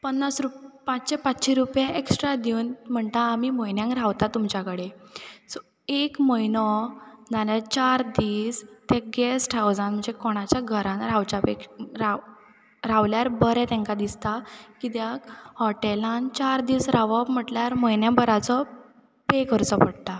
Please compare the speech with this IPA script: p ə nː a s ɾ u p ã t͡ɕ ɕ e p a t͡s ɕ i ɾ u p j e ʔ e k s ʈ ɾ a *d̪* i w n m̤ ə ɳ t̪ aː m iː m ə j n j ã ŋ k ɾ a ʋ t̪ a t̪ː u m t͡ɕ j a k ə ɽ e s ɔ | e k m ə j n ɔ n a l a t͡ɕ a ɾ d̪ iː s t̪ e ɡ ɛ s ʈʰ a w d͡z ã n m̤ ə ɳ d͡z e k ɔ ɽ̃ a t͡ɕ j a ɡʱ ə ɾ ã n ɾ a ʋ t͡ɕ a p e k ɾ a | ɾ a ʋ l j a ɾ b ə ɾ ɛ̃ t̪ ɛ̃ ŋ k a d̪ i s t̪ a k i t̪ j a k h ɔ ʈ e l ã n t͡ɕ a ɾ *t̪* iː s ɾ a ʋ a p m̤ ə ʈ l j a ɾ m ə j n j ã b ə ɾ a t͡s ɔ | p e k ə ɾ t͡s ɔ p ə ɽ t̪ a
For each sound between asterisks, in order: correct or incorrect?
correct, incorrect: d̪

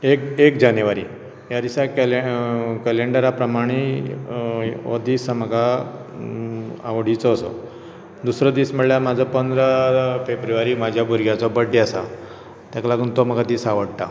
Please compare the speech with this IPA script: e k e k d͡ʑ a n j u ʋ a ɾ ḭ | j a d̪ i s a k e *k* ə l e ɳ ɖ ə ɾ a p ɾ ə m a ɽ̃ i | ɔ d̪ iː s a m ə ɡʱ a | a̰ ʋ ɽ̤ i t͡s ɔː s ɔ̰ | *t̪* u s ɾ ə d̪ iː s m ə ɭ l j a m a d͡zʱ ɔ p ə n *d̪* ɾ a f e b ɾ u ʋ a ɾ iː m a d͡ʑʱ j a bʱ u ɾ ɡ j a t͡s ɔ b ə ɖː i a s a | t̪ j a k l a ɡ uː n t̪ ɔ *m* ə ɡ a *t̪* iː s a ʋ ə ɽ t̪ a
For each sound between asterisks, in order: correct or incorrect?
correct, incorrect: d̪, correct, correct, incorrect: d̪

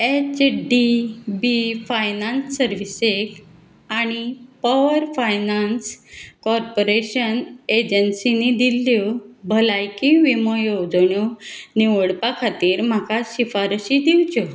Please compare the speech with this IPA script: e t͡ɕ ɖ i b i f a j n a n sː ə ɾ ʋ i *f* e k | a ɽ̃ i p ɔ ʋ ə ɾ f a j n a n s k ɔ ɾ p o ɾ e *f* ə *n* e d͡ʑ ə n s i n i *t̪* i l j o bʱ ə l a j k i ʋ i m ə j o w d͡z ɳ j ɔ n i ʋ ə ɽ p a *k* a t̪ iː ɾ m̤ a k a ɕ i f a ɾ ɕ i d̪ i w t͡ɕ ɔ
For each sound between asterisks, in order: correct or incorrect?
incorrect: s, incorrect: ɕ, correct, incorrect: d̪, incorrect: kʰ

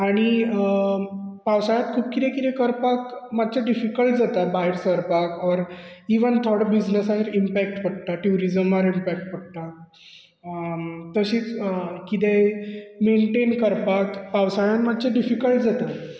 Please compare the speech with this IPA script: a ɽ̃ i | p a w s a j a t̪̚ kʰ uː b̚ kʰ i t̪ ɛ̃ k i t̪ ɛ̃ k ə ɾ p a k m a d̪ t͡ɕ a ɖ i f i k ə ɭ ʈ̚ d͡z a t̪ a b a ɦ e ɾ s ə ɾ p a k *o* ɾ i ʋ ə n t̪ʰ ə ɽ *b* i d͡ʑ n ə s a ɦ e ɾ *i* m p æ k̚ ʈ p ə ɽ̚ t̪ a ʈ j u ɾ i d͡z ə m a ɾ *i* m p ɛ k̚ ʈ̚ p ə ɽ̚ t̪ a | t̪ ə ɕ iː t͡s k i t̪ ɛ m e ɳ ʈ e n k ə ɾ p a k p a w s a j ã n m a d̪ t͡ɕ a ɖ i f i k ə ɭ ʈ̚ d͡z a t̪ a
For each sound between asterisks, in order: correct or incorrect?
incorrect: ɔ, correct, correct, correct

